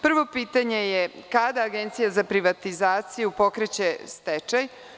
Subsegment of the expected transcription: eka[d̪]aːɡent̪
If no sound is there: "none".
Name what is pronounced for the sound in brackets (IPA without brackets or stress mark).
d̪